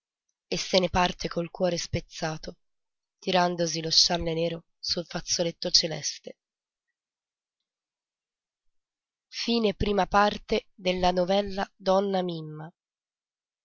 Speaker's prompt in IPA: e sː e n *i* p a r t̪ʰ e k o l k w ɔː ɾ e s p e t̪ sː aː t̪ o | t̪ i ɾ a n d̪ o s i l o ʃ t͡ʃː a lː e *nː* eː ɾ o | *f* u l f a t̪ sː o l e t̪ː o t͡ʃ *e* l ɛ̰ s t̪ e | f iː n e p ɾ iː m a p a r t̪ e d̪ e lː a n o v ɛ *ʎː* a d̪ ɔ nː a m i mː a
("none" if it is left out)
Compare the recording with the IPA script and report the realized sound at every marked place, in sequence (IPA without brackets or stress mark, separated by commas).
e, n, s, e, lː